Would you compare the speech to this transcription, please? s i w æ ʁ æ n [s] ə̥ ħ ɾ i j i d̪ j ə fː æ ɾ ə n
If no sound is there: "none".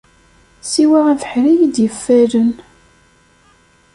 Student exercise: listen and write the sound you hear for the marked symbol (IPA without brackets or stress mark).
f